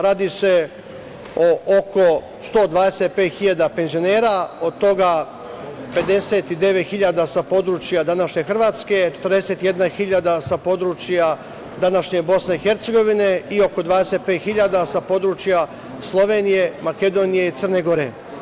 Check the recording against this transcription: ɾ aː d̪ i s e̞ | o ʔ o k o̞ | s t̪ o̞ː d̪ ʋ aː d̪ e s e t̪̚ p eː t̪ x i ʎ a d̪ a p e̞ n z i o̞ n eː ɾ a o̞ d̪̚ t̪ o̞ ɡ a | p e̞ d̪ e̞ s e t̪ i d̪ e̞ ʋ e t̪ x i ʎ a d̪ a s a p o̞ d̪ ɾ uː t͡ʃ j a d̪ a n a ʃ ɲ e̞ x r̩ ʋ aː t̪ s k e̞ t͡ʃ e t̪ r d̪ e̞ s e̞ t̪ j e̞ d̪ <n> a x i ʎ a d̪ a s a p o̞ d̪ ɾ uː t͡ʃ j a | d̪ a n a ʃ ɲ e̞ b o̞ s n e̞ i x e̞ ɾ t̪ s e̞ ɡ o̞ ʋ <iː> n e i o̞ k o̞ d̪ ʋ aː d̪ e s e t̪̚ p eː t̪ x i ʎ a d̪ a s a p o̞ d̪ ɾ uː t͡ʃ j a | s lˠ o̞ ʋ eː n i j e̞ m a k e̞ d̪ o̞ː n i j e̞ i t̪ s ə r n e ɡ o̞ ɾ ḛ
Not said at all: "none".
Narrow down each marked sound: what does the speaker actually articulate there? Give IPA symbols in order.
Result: n, i

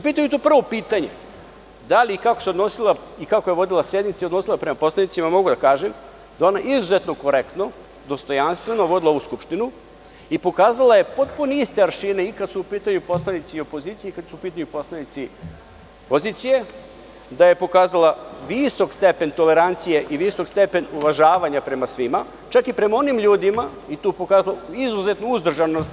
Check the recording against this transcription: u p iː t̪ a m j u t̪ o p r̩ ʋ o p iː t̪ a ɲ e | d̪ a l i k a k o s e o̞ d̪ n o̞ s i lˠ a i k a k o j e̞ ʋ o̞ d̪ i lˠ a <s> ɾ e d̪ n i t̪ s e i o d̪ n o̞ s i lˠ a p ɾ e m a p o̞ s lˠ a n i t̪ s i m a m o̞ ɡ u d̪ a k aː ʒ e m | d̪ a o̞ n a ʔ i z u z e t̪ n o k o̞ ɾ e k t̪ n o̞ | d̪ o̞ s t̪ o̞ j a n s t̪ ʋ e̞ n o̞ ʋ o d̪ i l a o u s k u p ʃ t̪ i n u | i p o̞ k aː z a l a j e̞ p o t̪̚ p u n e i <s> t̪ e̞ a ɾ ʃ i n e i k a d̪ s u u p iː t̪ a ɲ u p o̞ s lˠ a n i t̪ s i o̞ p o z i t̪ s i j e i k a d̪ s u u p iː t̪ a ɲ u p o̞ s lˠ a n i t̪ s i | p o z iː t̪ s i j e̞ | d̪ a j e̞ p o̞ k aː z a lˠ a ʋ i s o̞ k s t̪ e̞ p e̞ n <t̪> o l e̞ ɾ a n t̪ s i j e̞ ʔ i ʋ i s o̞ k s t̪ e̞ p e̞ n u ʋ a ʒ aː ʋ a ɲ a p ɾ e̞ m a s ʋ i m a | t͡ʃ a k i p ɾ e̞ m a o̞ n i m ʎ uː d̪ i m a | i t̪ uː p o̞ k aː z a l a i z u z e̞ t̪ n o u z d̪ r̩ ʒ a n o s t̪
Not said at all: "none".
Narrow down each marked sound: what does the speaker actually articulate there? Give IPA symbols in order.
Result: s, s, t̪

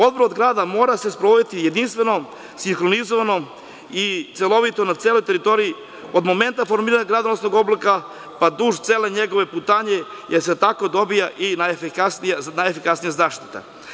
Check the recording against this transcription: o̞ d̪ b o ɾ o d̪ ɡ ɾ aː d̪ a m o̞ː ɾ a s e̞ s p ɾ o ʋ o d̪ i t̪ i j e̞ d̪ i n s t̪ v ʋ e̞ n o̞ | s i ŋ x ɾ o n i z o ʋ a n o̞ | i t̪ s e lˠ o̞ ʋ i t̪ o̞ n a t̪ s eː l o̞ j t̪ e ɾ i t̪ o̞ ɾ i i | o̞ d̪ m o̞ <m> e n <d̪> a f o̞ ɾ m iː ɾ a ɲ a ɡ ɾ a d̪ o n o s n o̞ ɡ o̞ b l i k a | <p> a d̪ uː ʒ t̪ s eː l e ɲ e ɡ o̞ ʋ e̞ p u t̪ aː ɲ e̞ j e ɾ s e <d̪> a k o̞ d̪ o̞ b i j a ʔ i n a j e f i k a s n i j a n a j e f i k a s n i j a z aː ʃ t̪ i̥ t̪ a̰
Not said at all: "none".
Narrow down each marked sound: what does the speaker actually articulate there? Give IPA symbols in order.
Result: m, t̪, p, t̪

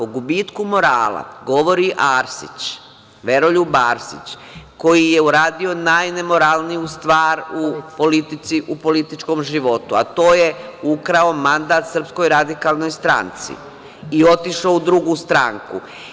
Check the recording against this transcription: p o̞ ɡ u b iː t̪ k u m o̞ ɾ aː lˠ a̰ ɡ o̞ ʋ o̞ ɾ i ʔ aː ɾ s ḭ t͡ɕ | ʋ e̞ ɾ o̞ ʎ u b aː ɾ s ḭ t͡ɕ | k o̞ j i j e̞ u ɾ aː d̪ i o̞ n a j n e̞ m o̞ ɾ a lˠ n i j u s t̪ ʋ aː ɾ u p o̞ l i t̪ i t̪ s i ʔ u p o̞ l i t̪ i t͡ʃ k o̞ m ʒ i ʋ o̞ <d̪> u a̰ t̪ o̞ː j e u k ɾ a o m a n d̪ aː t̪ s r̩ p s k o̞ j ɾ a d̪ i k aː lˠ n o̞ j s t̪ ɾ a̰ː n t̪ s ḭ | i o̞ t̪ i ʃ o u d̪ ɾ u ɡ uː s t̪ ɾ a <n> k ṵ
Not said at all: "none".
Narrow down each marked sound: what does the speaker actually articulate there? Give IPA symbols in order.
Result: t̪, ŋ

